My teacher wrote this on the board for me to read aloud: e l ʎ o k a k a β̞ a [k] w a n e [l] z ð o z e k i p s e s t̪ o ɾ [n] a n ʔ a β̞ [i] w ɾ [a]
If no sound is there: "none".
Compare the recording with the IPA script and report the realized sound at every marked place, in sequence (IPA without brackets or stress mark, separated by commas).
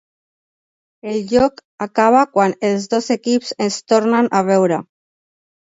k, l, n, e, a